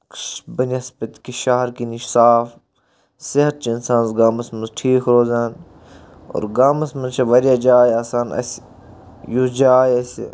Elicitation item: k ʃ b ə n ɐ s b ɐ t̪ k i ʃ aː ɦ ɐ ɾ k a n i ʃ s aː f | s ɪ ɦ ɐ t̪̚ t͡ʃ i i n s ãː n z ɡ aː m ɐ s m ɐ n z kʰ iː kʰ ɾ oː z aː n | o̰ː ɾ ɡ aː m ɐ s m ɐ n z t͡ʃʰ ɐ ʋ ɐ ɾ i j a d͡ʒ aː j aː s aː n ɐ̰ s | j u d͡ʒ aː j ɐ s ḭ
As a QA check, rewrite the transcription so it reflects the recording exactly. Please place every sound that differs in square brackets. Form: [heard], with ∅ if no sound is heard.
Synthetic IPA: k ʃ b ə n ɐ s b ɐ t̪ k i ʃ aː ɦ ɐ ɾ k [i] n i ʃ s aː f | s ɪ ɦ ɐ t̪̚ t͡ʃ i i n s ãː n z ɡ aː m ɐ s m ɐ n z [ʈʰ] iː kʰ ɾ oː z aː n | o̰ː ɾ ɡ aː m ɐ s m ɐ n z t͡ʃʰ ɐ ʋ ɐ ɾ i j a d͡ʒ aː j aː s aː n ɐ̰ s | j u d͡ʒ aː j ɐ s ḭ